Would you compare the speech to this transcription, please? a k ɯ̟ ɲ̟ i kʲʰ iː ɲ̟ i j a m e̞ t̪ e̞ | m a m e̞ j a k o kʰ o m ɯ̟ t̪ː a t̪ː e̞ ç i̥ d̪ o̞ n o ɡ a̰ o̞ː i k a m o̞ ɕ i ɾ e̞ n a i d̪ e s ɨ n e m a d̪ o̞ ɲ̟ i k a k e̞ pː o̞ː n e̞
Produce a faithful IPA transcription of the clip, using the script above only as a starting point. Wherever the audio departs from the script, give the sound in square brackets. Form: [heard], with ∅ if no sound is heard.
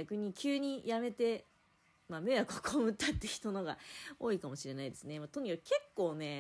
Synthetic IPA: a k ɯ̟ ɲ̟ i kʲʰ [ɨː] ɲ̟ i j a m e̞ t̪ e̞ | m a m e̞ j a k o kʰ o m ɯ̟ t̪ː a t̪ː e̞ ç i̥ [t̪] o̞ n o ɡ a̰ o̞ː i k a m o̞ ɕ i ɾ e̞ n a i d̪ e s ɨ n e m a [t̪] o̞ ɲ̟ i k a k e̞ [kː] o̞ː n e̞